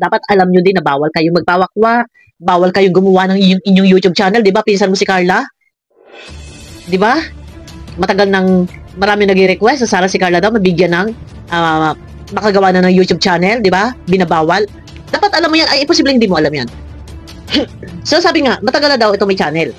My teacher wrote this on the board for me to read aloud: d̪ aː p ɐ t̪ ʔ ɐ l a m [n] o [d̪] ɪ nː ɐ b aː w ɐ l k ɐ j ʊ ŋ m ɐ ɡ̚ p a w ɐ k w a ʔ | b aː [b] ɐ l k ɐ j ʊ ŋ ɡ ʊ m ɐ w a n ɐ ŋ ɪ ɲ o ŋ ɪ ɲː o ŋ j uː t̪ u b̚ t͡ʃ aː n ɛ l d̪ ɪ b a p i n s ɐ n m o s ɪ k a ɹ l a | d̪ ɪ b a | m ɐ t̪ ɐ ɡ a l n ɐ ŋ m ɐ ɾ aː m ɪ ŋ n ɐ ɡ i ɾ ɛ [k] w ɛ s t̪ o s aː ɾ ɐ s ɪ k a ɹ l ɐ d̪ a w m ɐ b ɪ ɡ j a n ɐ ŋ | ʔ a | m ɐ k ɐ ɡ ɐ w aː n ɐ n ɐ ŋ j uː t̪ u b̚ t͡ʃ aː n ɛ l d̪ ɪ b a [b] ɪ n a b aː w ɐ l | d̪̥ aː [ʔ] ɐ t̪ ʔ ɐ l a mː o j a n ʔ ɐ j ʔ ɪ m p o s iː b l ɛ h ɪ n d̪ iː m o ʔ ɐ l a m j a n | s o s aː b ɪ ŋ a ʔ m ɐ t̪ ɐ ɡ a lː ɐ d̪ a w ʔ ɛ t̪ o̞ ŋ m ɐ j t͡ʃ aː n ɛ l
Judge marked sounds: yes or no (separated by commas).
no, yes, no, yes, yes, no